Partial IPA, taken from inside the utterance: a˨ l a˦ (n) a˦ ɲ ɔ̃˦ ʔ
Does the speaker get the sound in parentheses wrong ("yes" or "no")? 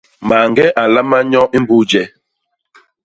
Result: yes